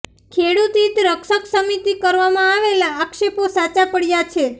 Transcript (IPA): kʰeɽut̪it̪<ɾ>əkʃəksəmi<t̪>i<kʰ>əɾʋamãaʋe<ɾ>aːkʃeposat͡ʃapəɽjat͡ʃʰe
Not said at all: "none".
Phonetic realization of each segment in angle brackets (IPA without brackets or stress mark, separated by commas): ɾ, t̪, k, l